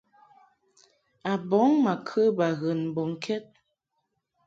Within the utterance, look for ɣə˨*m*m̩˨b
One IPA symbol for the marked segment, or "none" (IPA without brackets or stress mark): n